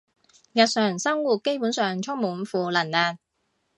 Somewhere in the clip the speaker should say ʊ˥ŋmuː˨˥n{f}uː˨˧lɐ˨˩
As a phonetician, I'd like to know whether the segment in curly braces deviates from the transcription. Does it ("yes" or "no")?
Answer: no